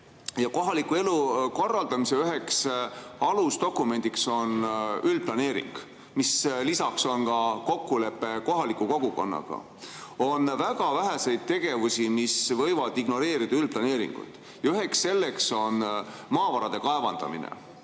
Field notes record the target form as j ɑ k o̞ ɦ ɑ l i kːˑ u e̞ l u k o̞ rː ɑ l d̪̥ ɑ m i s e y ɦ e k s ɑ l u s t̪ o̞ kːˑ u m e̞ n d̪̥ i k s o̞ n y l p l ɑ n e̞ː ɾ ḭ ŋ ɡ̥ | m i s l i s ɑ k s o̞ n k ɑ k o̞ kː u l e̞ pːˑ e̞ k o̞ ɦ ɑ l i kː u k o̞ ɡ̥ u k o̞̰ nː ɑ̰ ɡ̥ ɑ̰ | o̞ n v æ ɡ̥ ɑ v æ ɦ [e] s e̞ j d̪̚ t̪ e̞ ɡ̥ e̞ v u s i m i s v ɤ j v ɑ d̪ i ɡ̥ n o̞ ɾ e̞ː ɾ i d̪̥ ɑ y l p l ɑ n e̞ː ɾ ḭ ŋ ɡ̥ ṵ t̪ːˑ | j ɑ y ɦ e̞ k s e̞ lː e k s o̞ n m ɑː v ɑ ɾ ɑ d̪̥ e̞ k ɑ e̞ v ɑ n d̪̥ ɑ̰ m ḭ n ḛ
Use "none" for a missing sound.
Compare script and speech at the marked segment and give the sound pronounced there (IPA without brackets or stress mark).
æ